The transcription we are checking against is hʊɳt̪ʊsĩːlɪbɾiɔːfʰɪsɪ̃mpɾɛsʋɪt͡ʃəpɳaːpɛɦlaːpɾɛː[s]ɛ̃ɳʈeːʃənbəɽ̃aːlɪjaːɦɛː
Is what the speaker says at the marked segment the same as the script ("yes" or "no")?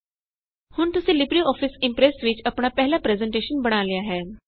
no